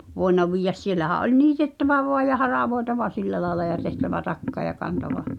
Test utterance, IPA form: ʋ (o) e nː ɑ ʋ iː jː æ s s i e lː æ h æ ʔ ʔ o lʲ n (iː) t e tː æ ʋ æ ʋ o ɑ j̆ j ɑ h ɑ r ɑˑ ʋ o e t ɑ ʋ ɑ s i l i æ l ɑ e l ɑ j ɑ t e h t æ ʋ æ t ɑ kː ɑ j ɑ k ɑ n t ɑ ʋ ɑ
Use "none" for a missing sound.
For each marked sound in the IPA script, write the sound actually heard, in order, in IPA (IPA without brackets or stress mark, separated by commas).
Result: o, iː